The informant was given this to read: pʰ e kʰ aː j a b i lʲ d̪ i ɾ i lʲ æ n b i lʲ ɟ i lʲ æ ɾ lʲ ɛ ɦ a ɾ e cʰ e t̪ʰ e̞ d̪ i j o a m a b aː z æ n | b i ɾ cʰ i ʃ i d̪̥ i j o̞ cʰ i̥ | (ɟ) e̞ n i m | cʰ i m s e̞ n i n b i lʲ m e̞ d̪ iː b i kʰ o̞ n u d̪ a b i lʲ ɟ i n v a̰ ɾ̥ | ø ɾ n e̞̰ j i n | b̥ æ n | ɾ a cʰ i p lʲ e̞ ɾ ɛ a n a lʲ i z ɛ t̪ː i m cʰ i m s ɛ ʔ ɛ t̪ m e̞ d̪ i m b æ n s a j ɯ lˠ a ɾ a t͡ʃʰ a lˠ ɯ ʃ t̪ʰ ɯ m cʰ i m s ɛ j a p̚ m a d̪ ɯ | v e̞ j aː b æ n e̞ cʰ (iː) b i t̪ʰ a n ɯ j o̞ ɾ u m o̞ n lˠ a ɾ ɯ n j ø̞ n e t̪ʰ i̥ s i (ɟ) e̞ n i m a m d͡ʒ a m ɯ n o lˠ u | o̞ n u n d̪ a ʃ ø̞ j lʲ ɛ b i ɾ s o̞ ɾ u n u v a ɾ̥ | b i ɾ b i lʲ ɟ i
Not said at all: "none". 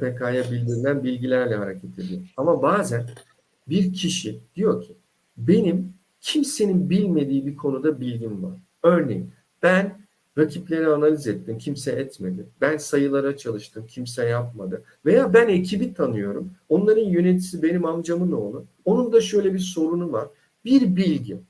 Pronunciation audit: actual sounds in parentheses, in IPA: b, i, b

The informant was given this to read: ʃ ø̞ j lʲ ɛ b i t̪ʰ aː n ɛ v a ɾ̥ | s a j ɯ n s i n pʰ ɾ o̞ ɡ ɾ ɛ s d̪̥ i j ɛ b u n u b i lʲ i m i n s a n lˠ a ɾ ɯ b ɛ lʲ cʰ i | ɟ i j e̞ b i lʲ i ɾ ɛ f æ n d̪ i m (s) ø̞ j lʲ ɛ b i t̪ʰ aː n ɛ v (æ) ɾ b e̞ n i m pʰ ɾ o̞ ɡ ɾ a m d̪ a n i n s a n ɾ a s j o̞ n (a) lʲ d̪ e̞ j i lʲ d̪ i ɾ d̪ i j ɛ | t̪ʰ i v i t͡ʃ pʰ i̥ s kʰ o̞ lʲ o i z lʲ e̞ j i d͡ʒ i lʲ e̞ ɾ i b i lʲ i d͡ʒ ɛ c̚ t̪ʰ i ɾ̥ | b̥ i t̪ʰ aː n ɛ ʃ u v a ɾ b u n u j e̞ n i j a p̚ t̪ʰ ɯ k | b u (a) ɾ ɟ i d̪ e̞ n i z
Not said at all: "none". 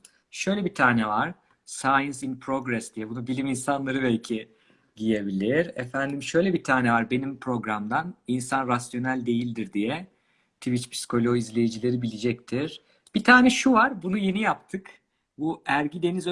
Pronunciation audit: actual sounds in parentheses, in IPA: ʃ, a, æ, æ

